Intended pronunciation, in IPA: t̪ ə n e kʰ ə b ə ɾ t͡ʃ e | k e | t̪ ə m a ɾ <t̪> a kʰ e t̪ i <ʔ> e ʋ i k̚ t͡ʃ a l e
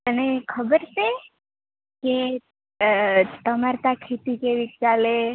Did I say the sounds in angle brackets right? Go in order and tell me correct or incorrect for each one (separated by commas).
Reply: correct, incorrect